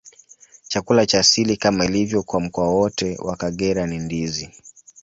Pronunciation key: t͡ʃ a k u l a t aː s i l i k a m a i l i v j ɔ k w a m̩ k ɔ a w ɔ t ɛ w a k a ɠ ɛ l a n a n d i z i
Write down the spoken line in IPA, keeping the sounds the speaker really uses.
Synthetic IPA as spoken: t͡ʃ a k u l a t͡ʃ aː s i l i k a m a i l i v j ɔ k w a m̩ k ɔ a w ɔ t ɛ w a k a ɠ ɛ ɾ a n i n d i z i